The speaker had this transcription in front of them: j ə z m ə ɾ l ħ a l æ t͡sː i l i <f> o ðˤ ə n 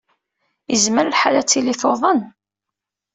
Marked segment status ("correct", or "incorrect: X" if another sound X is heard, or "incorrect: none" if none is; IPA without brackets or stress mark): incorrect: θ